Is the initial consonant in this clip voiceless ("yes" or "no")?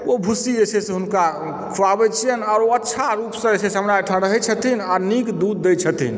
no